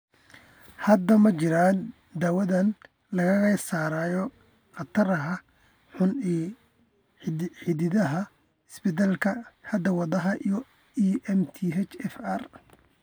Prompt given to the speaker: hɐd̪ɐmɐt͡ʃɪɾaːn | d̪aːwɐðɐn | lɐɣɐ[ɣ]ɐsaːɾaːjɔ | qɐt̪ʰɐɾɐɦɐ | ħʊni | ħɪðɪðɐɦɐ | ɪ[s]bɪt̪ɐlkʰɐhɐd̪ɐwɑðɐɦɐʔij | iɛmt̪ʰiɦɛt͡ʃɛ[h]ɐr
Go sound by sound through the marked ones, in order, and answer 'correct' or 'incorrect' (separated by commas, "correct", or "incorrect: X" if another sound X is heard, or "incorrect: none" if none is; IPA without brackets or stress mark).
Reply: correct, correct, incorrect: f